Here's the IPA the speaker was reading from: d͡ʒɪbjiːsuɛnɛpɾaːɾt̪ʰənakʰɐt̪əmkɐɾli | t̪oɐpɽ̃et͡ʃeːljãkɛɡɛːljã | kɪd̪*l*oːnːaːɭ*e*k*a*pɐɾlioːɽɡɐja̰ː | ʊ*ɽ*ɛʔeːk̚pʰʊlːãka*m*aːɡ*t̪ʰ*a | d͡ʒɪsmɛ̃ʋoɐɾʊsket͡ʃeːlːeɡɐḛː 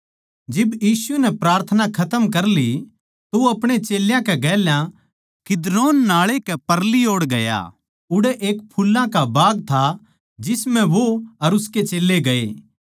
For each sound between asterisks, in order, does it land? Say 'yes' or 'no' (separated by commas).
no, yes, no, yes, no, yes